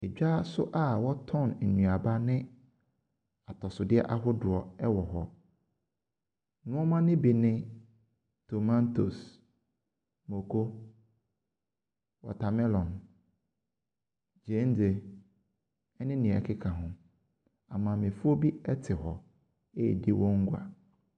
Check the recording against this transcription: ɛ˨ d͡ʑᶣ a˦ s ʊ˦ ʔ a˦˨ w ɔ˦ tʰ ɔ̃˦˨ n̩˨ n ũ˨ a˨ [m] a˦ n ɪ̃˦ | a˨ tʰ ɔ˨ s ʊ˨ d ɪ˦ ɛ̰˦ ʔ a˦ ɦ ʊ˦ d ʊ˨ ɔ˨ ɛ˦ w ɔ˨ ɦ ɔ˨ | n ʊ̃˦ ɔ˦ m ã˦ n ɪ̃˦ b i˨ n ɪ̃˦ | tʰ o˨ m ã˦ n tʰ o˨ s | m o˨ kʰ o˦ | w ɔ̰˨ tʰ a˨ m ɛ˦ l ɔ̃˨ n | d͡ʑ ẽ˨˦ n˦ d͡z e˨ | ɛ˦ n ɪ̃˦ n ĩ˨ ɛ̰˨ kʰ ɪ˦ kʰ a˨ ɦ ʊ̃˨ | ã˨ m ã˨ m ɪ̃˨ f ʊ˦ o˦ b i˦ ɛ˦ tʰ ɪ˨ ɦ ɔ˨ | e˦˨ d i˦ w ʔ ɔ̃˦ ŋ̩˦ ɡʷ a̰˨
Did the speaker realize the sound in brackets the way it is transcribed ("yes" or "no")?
no